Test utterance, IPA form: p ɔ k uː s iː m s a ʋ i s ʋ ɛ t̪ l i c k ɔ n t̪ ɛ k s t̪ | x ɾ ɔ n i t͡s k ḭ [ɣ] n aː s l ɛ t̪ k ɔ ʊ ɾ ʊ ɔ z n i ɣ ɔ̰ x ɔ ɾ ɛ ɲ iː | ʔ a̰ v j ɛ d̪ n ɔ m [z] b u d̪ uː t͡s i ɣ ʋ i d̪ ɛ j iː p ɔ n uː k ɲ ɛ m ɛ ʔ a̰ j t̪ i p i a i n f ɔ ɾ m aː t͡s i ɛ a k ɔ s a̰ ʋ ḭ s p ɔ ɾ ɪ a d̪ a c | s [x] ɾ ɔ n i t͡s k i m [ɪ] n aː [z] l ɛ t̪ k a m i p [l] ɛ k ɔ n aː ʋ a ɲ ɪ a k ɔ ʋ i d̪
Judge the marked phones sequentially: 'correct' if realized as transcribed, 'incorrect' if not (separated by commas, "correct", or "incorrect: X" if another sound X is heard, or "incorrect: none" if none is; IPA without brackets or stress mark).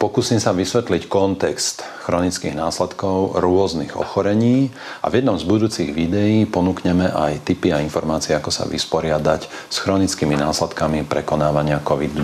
correct, correct, correct, incorrect: i, incorrect: s, incorrect: ɾ